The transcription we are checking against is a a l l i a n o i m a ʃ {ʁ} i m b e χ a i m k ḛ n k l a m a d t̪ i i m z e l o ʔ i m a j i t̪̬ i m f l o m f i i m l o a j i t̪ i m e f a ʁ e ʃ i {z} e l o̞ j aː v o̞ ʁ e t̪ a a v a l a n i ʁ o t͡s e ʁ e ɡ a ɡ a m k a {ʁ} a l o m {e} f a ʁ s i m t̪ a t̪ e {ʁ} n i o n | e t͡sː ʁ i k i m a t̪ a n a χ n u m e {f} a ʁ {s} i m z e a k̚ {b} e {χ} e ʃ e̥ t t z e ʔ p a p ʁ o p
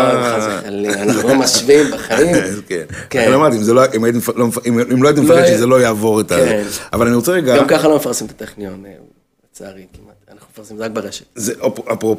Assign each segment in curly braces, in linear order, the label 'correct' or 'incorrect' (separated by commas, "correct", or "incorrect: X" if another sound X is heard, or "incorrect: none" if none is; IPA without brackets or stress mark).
incorrect: v, correct, incorrect: χ, correct, incorrect: χ, correct, correct, correct, incorrect: ʁ